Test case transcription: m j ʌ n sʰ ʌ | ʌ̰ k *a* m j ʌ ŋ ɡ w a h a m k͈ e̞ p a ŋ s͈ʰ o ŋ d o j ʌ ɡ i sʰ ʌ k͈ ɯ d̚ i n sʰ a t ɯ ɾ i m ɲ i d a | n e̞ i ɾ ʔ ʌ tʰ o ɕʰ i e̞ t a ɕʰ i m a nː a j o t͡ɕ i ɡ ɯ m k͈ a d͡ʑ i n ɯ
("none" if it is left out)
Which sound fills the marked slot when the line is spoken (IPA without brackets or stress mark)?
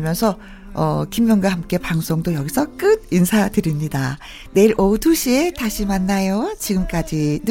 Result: i